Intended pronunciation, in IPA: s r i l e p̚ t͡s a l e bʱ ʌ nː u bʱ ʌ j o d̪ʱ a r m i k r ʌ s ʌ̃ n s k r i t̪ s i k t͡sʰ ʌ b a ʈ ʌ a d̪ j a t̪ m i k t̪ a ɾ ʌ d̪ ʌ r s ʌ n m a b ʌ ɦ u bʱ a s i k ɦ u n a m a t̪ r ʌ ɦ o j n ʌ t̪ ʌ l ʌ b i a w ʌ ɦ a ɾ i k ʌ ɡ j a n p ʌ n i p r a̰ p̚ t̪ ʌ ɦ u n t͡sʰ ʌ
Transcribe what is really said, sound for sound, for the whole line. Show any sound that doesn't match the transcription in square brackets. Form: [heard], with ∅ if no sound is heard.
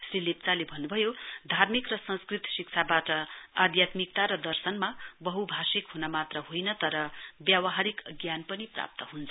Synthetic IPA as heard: s r i l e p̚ t͡s a l e bʱ ʌ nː u bʱ ʌ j o d̪ʱ a r m i k r ʌ s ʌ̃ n s k r i t̪ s i k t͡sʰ [a] b a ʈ ʌ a d̪ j a t̪ m i k t̪ a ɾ ʌ d̪ ʌ r s ʌ n m a b ʌ ɦ u bʱ a s i k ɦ u n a m a t̪ r ʌ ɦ o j n ʌ t̪ ʌ [ɾ] ʌ b [j] a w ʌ ɦ a ɾ i k ʌ ɡ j a n p ʌ n i p r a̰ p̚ t̪ ʌ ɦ u n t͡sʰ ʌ